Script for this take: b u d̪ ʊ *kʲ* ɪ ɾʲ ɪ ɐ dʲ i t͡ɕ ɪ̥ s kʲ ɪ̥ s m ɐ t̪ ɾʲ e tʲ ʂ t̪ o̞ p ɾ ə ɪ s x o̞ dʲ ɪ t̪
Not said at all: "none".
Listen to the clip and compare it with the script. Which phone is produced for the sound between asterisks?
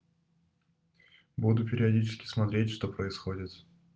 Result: pʲ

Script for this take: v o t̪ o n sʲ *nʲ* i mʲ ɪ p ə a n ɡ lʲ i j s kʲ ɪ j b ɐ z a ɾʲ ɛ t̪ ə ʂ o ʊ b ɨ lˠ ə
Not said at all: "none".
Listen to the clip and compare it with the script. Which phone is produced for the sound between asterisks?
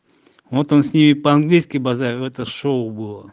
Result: nʲ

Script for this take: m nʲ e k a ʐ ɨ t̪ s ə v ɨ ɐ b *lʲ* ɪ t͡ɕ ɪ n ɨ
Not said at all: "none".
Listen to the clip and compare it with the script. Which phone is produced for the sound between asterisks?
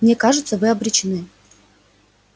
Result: ɾʲ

